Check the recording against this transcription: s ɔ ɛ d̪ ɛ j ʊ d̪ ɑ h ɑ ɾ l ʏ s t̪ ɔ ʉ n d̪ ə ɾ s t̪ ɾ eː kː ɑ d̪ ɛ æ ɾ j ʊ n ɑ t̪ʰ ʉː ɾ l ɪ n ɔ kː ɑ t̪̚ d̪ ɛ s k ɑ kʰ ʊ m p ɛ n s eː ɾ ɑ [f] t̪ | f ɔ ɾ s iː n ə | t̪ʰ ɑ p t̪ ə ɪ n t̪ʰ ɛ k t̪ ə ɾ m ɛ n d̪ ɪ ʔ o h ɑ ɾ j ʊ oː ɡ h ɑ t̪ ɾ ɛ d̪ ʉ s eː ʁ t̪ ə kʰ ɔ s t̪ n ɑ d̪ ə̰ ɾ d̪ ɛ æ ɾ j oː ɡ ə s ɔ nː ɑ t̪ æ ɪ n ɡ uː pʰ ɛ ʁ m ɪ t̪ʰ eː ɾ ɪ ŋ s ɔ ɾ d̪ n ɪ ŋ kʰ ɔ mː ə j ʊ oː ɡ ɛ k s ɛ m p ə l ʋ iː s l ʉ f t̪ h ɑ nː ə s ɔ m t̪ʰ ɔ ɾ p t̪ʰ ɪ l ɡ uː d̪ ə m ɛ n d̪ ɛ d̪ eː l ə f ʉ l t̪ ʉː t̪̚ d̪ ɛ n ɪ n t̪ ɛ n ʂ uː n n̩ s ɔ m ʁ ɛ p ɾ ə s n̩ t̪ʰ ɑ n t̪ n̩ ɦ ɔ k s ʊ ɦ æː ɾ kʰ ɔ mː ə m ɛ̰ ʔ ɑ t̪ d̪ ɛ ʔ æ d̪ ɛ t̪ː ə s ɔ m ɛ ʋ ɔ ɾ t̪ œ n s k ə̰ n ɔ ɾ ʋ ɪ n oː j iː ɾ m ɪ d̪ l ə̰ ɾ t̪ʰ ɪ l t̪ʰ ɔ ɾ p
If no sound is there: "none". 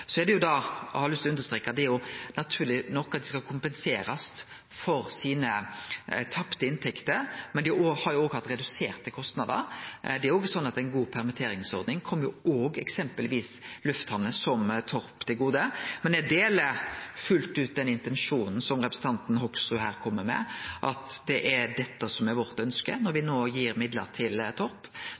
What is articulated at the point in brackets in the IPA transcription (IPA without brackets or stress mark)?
s